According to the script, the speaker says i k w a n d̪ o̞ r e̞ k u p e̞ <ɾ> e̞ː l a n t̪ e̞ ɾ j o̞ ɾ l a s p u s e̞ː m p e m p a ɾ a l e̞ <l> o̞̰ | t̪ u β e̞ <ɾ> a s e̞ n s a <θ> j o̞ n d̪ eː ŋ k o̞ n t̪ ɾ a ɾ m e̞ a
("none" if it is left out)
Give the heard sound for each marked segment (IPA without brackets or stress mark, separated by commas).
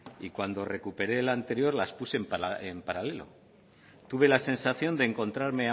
ɾ, l, l, θ